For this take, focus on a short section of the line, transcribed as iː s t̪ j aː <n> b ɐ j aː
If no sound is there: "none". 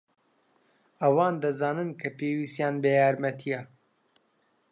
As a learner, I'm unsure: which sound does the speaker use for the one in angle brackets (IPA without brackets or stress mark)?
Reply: n